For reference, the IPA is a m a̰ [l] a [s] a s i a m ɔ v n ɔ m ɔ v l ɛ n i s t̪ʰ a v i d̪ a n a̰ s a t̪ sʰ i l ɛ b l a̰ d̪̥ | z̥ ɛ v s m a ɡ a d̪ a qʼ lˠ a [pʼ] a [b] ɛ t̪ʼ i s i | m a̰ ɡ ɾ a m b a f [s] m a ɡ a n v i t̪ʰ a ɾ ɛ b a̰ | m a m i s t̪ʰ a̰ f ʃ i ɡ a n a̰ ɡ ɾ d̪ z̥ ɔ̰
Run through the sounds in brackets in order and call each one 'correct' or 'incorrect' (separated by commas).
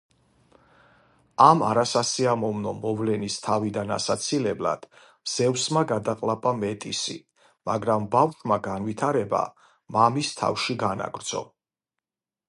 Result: incorrect, correct, correct, incorrect, incorrect